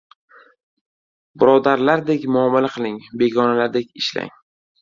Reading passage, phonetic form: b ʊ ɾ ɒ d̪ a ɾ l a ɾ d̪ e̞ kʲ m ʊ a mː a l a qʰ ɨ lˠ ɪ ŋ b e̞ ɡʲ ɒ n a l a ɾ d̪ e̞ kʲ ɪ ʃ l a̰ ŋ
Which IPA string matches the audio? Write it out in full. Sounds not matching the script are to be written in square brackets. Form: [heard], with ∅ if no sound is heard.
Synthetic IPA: b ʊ ɾ ɒ d̪ a ɾ l a ɾ d̪ e̞ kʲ m ʊ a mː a l a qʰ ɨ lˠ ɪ ŋ b e̞ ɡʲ ɒ n a l a ɾ d̪ e̞ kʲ ɪ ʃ l a̰ ŋ